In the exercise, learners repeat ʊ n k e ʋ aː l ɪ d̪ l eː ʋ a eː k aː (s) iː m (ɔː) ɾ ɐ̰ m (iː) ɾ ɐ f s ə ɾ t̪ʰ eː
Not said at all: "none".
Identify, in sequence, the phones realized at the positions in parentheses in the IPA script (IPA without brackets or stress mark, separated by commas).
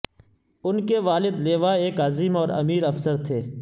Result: z, ɔː, iː